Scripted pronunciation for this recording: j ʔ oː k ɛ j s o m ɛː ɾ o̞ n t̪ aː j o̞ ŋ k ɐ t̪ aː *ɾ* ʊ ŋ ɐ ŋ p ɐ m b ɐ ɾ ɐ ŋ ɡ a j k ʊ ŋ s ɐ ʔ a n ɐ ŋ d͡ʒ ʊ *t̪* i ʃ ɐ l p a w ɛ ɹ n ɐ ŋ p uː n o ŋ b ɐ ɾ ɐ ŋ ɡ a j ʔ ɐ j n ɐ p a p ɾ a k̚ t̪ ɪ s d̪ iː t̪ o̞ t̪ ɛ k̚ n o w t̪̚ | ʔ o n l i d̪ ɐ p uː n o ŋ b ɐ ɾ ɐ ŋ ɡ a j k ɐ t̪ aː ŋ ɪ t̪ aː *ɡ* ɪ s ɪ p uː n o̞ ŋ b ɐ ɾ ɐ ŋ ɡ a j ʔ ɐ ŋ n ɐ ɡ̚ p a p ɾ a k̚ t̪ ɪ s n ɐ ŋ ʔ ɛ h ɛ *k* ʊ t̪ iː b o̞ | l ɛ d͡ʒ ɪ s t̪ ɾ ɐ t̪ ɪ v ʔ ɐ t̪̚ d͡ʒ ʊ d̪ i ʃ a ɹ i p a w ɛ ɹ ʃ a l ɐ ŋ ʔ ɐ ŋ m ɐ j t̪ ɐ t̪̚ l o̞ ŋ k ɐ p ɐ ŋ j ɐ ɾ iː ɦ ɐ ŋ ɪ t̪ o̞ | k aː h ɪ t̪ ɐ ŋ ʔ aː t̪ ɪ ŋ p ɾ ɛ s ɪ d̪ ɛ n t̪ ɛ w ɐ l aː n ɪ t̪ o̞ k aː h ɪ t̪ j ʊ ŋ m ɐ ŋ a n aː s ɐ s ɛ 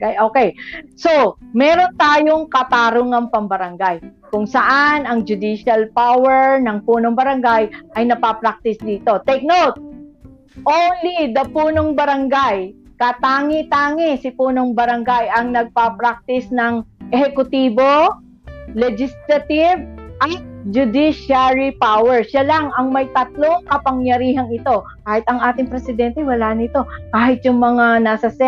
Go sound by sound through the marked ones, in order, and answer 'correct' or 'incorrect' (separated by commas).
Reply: correct, incorrect, incorrect, correct